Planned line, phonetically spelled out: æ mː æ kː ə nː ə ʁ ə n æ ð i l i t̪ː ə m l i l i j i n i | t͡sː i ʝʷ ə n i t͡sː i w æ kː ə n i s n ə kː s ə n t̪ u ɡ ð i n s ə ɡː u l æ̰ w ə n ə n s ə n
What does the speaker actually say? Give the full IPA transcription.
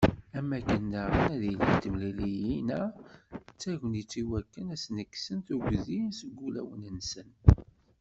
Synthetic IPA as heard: æ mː æ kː ə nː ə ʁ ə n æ ð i l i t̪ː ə m l i l i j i n æ | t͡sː æ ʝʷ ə n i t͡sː i w æ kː ə n æ s n ə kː s ə n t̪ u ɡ ð i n s ə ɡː u l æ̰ w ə n ə n s ə n